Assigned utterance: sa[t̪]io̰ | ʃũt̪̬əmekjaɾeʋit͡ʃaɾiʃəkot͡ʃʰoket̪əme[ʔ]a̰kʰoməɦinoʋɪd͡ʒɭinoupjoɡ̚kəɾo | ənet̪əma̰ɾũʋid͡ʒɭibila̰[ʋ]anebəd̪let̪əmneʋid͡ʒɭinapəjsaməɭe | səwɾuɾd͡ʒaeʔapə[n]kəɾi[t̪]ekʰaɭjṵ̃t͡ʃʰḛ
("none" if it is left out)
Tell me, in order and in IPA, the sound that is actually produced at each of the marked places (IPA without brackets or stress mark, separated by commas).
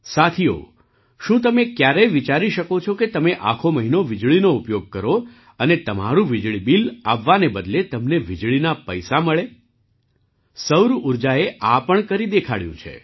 t̪ʰ, ʔ, ʋː, ɳ, d̪